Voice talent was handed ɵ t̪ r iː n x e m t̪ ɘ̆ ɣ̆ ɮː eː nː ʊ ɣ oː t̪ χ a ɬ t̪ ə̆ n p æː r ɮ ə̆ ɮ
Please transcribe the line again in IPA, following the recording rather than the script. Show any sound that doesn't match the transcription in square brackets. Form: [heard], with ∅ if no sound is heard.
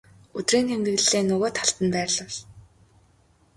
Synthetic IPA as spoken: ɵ t̪ r iː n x e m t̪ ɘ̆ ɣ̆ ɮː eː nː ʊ ɣ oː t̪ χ a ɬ t̪ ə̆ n p æː r ɮ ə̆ ɮ

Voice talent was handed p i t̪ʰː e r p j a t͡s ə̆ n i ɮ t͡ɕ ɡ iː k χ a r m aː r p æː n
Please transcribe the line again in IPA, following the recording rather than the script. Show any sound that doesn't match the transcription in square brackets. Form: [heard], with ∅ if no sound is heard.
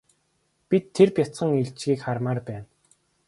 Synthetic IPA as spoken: p i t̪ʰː e r p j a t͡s ə̆ [ŋ] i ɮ t͡ɕ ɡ iː k χ a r m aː r p æː n

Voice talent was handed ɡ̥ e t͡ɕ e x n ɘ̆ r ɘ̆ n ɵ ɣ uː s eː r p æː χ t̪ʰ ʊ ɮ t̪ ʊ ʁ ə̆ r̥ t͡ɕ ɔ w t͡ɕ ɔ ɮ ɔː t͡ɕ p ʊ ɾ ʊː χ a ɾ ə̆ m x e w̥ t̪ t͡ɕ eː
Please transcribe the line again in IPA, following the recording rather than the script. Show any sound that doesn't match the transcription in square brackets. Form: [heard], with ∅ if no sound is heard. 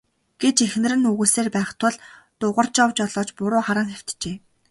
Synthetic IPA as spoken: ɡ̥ e t͡ɕ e x n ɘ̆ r ɘ̆ n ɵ ɣ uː s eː r p æː χ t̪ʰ ʊ ɮ t̪ ʊ ʁ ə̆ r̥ t͡ɕ ɔ w t͡ɕ ɔ ɮ ɔː t͡ɕ p ʊ ɾ ʊː χ a ɾ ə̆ [ŋ] x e w̥ t̪ t͡ɕ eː

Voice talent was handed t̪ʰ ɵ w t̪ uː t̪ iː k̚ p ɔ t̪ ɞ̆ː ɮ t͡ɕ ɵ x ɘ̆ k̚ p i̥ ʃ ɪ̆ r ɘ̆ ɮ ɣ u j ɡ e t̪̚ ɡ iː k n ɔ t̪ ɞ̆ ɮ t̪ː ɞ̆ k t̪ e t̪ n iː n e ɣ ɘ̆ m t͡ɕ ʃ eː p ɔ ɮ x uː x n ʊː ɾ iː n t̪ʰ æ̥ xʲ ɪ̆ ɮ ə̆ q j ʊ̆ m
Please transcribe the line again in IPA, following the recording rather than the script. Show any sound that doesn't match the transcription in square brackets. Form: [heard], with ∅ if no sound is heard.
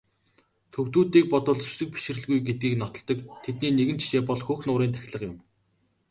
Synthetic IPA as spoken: t̪ʰ ɵ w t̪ uː t̪ iː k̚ p ɔ t̪ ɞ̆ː ɮ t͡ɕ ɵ [s] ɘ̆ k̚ p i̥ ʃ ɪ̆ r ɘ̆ ɮ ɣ u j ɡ e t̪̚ ɡ iː k n ɔ t̪ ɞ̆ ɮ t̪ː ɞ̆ k [t̪ʰ] e t̪ n iː n e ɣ ɘ̆ [n] t͡ɕ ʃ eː p ɔ ɮ x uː x n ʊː ɾ iː n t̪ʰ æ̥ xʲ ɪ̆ ɮ ə̆ q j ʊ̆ m

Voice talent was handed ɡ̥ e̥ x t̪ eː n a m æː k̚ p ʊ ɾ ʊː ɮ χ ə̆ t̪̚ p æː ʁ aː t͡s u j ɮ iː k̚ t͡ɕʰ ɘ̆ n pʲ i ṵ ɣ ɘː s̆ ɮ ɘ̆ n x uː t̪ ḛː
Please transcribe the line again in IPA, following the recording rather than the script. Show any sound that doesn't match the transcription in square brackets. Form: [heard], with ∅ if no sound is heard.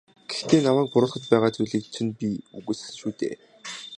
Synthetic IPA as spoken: ɡ̥ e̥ x t̪ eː n a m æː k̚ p ʊ ɾ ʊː ɮ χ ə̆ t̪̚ p æː ʁ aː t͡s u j ɮ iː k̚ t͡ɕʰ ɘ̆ n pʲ i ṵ ɣ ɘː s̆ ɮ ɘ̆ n [ʃ] uː t̪ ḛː

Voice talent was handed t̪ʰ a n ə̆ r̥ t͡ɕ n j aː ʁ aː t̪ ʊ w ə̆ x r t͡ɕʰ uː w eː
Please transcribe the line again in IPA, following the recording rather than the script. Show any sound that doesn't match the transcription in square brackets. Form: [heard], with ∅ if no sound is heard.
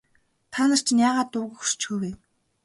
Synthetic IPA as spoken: t̪ʰ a n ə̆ r̥ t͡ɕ n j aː ʁ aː t̪ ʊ [ɣ] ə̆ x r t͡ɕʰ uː w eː

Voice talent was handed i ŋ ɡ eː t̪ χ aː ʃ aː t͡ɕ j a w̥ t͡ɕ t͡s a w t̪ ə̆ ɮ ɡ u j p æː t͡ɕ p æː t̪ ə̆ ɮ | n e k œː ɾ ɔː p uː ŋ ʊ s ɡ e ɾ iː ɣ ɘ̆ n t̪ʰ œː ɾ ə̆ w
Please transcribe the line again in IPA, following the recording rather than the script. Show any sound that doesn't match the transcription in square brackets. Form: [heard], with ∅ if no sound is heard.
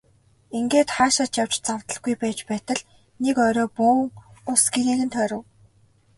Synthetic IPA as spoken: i ŋ ɡ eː t̪ χ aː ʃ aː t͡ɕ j a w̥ t͡ɕ t͡s a w t̪ ə̆ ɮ ɡ u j p æː t͡ɕ p æː t̪ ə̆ ɮ | n e k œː ɾ ɔː p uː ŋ ʊ s ɡ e ɾ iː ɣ ɘ̆ n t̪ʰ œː ɾ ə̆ w

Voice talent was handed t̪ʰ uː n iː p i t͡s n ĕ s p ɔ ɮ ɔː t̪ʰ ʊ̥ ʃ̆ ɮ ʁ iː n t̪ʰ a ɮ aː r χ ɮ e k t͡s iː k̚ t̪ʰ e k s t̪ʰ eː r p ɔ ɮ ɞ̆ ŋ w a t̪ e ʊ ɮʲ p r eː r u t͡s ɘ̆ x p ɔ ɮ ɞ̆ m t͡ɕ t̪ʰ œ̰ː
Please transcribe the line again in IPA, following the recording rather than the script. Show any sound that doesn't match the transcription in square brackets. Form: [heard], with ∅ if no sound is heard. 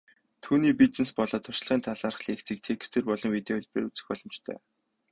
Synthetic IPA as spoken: t̪ʰ uː n iː p i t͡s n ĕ s p ɔ ɮ ɔː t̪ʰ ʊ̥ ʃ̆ ɮ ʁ iː n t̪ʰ a ɮ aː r χ ɮ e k t͡s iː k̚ t̪ʰ e k s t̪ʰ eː r p ɔ ɮ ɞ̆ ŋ w [i] t̪ e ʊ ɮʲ p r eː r u t͡s ɘ̆ x p ɔ ɮ ɞ̆ m t͡ɕ t̪ʰ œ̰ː

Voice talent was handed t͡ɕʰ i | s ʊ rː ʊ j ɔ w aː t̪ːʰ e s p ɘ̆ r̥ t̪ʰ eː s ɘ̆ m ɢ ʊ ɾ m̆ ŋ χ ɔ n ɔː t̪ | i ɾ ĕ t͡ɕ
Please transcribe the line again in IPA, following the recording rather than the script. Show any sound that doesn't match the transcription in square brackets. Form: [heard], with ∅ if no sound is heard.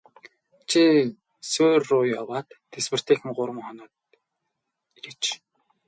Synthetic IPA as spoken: t͡ɕʰ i | s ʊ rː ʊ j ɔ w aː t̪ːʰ e s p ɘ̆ r̥ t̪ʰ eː [x] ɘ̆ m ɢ ʊ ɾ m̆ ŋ χ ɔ n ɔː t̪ | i ɾ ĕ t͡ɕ

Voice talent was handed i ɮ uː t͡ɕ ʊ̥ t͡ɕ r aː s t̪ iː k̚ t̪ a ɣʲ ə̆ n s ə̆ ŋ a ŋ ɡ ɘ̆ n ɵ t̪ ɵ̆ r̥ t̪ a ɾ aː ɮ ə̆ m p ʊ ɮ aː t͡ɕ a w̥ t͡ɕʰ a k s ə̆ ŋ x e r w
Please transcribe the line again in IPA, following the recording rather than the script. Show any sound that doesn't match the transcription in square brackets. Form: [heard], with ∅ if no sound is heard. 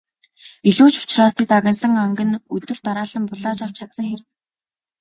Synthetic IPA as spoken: i ɮ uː t͡ɕ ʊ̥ t͡ɕ r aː s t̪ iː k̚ t̪ a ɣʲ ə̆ n s ə̆ ŋ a ŋ ɡ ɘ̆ n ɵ t̪ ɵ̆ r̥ t̪ a ɾ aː ɮ ə̆ m p ʊ ɮ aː t͡ɕ a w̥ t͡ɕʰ a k s ə̆ ŋ x e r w

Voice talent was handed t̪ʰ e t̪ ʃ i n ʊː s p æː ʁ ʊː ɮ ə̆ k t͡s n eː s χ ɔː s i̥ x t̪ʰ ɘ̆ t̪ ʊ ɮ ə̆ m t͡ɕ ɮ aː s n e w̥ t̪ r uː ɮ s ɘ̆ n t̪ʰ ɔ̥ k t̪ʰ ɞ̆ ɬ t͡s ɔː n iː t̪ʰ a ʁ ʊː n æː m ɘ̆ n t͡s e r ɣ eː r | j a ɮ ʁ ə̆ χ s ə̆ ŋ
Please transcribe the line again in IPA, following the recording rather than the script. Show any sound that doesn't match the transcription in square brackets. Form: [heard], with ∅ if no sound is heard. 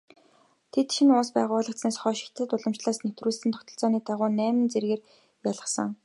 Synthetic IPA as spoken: t̪ʰ e t̪ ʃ i n ʊː s p æː ʁ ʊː ɮ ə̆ k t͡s n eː s χ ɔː [ʃ] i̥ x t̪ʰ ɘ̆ t̪ ʊ ɮ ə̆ m t͡ɕ ɮ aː s n e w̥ t̪ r uː ɮ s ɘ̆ n t̪ʰ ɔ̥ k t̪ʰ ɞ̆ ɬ t͡s ɔː n iː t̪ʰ a ʁ ʊː n æː m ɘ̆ n t͡s e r ɣ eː r | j a ɮ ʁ ə̆ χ s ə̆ ŋ

